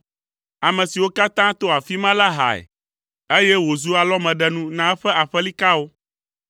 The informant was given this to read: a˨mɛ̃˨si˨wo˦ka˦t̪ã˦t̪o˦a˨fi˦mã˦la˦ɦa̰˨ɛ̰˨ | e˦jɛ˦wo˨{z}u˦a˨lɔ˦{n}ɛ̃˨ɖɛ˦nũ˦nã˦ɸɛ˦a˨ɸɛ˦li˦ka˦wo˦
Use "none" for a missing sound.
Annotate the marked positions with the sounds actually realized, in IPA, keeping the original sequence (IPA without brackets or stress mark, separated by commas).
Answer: z, m